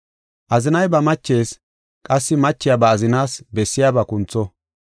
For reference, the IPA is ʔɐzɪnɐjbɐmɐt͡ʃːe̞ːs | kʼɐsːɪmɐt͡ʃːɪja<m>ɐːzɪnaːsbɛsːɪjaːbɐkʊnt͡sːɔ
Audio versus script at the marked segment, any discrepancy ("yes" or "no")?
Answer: yes